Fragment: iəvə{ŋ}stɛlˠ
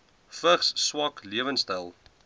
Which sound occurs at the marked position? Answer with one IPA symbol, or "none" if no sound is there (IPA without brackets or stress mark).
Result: n